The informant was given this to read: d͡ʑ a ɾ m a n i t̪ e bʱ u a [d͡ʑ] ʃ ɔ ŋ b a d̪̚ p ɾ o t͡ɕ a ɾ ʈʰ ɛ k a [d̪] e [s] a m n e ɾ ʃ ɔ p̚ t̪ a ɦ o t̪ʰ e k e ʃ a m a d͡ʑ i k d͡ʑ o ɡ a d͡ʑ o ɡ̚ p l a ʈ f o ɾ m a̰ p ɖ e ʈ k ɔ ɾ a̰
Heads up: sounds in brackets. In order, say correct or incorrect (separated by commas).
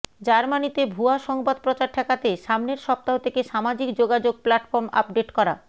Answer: incorrect, incorrect, incorrect